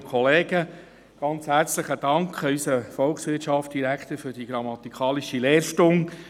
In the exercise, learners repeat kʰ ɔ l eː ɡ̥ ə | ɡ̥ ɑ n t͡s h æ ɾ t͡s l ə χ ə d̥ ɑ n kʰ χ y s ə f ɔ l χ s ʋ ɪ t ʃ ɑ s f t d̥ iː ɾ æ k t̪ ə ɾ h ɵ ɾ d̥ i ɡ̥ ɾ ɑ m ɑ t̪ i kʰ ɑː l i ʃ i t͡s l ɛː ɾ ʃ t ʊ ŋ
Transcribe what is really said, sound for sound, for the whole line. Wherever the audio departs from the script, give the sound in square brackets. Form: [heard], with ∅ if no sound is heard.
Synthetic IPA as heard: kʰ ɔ l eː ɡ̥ ə | ɡ̥ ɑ n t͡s h æ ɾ t͡s l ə χ ə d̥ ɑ [ŋ] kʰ χ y s ə f ɔ l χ s ʋ ɪ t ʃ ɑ [∅] f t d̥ [i] ɾ æ k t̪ ə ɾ [f] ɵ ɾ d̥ i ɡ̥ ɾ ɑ m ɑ t̪ i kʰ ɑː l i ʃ i [∅] l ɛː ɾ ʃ t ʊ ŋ